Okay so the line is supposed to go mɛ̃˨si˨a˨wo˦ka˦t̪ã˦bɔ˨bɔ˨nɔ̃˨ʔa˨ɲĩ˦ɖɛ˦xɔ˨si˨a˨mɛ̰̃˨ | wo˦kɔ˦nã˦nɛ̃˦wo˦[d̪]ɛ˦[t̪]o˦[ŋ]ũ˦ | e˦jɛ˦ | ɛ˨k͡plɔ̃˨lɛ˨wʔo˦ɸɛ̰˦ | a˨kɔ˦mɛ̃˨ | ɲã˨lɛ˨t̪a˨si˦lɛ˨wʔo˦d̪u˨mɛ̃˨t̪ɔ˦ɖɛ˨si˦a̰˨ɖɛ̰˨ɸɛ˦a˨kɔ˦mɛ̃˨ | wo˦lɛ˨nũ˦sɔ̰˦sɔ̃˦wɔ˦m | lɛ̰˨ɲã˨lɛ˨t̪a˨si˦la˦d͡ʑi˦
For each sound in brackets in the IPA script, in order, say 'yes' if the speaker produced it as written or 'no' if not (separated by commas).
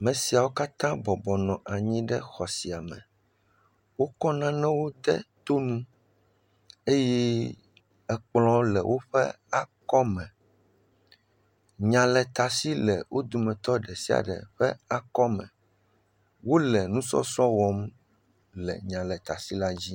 yes, yes, no